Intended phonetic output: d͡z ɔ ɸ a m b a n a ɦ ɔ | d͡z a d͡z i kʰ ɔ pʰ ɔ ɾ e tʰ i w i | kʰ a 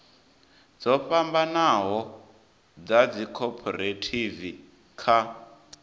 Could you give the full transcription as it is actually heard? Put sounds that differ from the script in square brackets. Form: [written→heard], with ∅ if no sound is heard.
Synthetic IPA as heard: d͡z ɔ ɸ a m b a n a ɦ ɔ | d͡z a d͡z i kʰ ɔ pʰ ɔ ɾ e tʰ i [w→v] i | kʰ a